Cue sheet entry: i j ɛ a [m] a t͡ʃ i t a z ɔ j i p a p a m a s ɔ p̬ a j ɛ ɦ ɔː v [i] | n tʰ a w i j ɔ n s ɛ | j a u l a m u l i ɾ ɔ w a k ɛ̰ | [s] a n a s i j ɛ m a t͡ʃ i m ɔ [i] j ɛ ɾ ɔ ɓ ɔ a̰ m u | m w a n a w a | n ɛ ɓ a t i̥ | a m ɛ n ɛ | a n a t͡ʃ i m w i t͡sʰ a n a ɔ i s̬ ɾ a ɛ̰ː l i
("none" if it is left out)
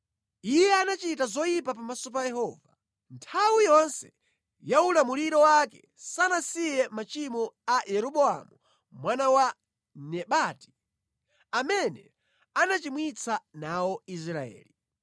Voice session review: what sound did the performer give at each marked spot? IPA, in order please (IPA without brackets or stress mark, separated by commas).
n, a, s, a